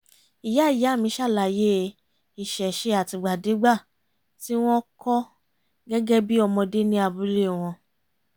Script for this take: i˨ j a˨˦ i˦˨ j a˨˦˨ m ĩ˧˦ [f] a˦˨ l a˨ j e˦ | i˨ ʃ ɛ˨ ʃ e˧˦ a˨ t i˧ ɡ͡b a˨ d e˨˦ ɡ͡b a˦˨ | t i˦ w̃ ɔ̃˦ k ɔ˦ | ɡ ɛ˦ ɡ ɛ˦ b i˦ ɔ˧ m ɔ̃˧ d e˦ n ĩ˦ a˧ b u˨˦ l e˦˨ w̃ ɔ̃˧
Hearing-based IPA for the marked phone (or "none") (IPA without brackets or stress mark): ʃ